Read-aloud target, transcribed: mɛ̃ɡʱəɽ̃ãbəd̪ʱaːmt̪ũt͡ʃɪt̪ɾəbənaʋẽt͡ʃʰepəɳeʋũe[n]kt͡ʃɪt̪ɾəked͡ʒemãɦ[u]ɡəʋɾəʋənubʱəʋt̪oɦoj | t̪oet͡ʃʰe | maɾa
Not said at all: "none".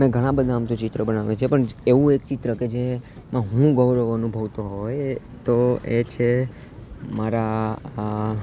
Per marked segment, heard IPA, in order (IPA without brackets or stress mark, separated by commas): none, ũ